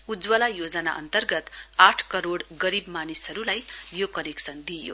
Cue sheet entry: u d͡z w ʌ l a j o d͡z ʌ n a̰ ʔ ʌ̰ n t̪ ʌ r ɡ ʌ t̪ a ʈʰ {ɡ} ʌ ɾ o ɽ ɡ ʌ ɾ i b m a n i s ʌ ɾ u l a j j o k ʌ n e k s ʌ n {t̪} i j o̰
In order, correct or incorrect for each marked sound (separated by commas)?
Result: incorrect, incorrect